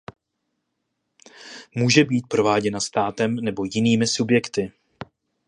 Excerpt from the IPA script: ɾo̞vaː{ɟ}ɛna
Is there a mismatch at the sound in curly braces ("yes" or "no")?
no